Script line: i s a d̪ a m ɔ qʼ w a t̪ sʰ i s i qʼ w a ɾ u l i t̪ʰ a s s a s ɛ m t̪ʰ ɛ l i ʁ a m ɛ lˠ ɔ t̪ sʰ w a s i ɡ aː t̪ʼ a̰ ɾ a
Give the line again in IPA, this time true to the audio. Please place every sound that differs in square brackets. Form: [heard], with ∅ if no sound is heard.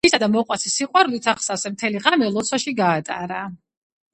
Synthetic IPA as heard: i s a d̪ a m ɔ qʼ w a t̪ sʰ i s i qʼ w a ɾ u l i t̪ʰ a [χ] s a s ɛ m t̪ʰ ɛ l i ʁ a m ɛ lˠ ɔ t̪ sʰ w a [ʃ] i ɡ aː t̪ʼ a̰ ɾ a

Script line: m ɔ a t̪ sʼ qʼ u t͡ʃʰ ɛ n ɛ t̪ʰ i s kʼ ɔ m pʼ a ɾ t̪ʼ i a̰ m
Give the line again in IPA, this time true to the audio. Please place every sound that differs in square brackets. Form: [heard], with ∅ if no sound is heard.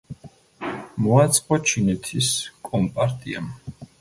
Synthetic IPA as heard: m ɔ a t̪ sʼ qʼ [ɔ] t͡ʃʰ [i] n ɛ t̪ʰ i s kʼ ɔ m pʼ a ɾ t̪ʼ i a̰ m

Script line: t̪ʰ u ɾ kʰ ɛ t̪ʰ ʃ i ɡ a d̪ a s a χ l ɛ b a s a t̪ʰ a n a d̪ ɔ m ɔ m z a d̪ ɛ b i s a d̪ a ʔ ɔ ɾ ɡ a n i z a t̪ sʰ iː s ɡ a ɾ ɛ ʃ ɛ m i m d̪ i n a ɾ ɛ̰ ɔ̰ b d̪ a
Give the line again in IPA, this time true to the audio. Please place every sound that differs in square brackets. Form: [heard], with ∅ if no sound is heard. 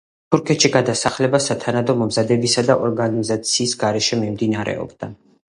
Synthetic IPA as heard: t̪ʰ u ɾ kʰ ɛ [t̪] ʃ i ɡ a d̪ a s a χ l ɛ b a s a t̪ʰ a n a d̪ ɔ m ɔ m z a d̪ ɛ b i s a d̪ a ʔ ɔ ɾ ɡ a n i z a t̪ sʰ iː s ɡ a ɾ ɛ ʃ ɛ m i m d̪ i n a ɾ ɛ̰ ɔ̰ b d̪ a

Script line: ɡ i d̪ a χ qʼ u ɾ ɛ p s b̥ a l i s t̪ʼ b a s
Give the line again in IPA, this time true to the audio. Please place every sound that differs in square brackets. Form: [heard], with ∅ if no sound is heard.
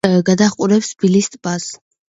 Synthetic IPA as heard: ɡ [a] d̪ a χ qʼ u ɾ ɛ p s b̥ [i] l i s t̪ʼ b a s

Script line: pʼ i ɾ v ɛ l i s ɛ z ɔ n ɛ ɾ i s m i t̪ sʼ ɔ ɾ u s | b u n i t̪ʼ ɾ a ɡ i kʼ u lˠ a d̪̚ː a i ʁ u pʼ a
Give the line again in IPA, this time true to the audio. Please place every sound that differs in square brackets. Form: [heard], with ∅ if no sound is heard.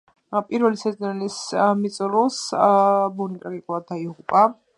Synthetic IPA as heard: pʼ i ɾ v ɛ l i s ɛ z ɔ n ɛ [l] i s m i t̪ sʼ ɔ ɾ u s | b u n i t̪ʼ ɾ a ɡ i kʼ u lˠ a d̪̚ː a i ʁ u pʼ a

